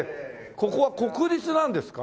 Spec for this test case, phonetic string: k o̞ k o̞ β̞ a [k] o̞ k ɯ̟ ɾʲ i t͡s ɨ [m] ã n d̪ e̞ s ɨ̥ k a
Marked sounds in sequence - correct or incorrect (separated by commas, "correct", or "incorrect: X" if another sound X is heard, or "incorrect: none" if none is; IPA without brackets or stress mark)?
correct, incorrect: n